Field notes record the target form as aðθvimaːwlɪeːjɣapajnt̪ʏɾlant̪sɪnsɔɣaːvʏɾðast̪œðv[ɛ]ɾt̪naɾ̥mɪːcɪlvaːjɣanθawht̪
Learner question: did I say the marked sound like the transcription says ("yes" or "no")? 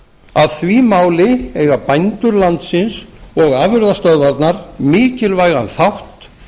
no